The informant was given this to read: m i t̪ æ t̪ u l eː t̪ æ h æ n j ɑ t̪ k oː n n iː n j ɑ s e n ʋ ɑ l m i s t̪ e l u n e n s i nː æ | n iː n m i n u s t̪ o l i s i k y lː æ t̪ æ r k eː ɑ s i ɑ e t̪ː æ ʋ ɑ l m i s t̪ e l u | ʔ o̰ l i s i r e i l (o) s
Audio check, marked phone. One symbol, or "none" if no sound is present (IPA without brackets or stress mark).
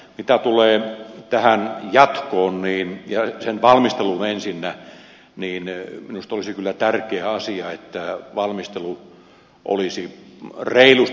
u